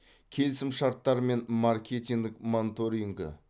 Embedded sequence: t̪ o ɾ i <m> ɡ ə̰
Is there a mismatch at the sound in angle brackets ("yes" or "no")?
yes